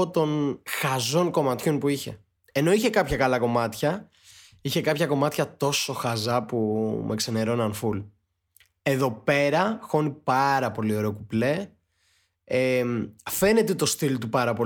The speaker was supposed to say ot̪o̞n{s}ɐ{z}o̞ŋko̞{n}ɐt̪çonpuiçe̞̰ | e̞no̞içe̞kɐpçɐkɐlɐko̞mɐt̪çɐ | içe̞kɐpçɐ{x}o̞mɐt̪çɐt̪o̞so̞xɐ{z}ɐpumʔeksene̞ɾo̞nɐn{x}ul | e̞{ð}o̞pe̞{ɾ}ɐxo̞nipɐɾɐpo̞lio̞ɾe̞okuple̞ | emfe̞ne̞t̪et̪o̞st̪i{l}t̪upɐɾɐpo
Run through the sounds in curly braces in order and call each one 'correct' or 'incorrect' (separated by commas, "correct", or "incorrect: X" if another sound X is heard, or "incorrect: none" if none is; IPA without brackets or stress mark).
incorrect: x, correct, incorrect: m, incorrect: k, correct, incorrect: f, correct, correct, correct